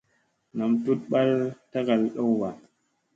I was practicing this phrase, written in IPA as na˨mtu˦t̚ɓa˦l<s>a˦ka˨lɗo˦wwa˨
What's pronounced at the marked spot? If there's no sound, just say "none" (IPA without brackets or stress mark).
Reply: t